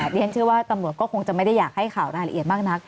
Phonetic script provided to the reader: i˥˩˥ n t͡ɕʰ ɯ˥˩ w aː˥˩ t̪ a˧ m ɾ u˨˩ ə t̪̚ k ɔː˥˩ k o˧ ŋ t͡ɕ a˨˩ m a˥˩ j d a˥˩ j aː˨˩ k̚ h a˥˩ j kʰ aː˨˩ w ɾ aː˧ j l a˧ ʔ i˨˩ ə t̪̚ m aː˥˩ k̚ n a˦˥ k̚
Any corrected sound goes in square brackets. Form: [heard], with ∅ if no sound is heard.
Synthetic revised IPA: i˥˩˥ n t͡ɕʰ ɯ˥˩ w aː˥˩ t̪ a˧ m ɾ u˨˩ ə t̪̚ k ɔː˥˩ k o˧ ŋ t͡ɕ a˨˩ m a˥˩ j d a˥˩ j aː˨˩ k̚ h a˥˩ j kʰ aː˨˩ w ɾ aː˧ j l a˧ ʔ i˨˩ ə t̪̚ m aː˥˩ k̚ n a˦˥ k̚